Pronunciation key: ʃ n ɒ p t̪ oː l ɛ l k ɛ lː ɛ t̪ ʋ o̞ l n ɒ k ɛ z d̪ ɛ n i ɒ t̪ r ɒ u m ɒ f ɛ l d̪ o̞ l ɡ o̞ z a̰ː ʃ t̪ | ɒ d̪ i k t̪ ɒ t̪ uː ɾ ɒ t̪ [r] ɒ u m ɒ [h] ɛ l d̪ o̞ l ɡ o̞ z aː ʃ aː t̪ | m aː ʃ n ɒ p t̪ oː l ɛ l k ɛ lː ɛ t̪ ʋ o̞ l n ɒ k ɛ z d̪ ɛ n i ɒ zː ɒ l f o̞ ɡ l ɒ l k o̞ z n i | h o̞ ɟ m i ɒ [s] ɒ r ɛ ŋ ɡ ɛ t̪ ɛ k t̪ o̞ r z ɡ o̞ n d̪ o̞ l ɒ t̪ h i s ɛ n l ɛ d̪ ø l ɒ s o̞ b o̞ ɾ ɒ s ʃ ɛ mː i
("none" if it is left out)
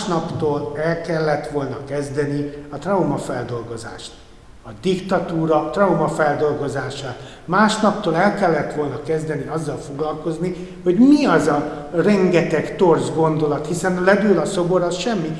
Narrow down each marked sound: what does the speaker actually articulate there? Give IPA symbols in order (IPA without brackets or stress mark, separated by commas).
r, f, z